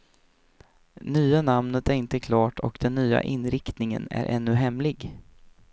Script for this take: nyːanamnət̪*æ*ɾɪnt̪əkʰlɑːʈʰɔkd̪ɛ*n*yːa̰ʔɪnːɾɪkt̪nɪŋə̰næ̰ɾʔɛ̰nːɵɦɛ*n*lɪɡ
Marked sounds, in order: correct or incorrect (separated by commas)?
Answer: correct, incorrect, incorrect